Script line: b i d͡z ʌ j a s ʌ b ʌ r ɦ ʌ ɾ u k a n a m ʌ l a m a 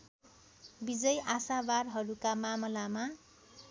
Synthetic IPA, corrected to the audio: b i d͡z ʌ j a s a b a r ɦ ʌ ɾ u k a m a m ʌ l a m a